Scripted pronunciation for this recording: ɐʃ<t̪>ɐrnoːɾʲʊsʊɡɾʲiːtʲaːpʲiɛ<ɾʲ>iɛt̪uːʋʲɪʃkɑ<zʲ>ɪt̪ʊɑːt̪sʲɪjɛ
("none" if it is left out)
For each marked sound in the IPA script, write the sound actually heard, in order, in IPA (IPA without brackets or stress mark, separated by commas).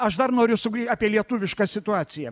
d̪, lʲ, sʲ